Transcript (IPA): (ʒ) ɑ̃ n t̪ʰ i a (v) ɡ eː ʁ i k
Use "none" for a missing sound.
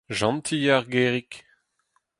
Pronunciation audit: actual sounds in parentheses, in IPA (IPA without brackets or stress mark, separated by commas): ʒ, ʁ